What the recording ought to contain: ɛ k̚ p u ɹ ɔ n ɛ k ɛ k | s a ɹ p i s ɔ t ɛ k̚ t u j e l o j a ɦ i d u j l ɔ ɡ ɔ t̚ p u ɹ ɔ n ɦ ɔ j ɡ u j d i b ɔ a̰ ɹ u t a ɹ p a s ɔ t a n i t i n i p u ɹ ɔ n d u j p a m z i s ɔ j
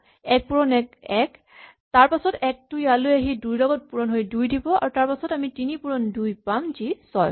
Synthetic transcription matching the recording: ɛ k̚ p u ɹ ɔ n ɛ k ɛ k | t a ɹ p a s ɔ t ɛ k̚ t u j a l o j a ɦ i d u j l ɔ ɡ ɔ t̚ p u ɹ ɔ n ɦ o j d u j d i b ɔ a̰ ɹ u t a ɹ p a s ɔ t a m i t i n i p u ɹ ɔ n d u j p a m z i s ɔ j